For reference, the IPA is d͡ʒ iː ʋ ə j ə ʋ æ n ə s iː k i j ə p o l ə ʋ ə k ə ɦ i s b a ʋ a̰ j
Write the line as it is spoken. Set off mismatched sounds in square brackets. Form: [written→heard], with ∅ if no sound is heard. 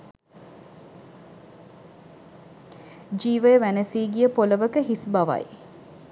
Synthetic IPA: d͡ʒ iː ʋ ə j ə ʋ æ n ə s iː [k→ɡ] i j ə p o l ə ʋ ə k ə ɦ i s b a ʋ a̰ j